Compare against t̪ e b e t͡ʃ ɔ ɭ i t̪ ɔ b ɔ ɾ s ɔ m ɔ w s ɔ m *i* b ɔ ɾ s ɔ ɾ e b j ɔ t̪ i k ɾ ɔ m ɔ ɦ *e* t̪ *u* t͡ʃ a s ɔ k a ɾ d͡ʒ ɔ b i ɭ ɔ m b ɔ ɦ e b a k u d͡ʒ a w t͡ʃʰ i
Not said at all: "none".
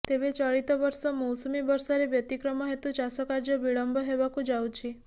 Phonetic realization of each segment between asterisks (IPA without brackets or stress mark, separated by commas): i, e, u